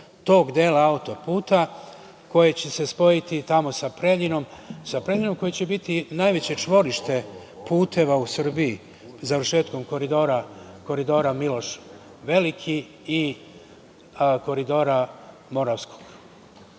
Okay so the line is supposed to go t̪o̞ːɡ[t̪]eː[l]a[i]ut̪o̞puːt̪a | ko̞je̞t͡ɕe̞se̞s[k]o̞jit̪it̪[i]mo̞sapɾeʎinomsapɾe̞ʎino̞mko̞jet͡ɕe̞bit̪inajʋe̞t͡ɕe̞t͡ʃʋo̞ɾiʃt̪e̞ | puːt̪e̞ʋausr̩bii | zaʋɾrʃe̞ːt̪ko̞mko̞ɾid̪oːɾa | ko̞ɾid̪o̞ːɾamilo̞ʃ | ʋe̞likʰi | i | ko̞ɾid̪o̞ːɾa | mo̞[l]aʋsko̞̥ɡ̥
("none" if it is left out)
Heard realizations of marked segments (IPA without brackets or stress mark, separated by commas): d̪, l, a, p, a, ɾ